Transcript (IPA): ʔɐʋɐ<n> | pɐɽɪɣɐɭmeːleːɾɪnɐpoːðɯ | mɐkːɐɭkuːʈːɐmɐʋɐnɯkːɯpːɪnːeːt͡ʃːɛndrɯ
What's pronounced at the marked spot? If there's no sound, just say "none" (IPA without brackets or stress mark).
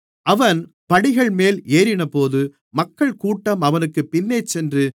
n